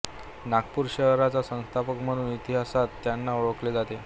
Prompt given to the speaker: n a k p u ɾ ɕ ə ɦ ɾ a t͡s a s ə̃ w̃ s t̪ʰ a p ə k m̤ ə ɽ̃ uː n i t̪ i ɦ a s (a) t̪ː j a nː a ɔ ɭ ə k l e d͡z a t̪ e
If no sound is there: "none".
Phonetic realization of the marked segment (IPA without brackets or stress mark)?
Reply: a